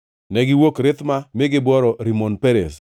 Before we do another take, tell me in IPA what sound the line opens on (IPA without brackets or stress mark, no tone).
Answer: n